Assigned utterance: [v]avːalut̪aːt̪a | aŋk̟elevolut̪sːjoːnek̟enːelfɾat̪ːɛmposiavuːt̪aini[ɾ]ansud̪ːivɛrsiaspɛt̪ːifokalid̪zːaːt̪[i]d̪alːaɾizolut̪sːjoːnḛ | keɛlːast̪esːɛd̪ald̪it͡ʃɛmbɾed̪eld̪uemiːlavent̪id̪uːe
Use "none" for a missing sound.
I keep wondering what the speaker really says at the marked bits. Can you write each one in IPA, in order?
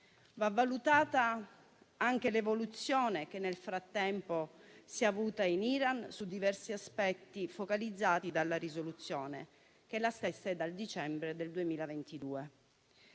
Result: v, ɾ, i

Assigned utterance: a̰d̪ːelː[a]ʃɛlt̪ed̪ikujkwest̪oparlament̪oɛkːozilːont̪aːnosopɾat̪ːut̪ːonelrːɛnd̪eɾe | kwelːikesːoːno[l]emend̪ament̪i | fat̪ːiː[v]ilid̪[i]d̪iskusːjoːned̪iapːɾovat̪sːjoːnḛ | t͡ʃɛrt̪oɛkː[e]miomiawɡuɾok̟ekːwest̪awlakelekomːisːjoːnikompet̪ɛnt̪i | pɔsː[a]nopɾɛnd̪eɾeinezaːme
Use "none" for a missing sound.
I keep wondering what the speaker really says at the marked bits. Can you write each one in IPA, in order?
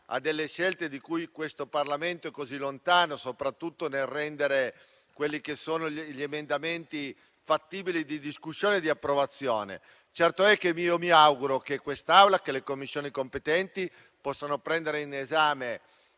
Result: e, ʎ, b, i, e, a

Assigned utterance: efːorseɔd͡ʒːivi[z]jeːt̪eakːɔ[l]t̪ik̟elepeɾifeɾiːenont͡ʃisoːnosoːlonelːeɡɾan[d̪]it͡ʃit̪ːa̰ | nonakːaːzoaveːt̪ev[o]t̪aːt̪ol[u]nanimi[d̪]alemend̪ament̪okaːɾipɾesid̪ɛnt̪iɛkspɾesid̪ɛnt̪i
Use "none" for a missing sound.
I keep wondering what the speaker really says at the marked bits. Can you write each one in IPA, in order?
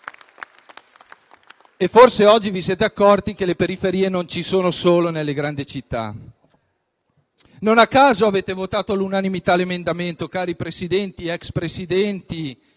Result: s, r, d̪, o, u, t̪

